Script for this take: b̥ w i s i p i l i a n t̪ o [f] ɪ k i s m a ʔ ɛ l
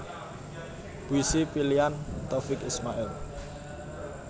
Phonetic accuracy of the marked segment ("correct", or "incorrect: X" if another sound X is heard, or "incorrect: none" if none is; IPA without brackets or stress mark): correct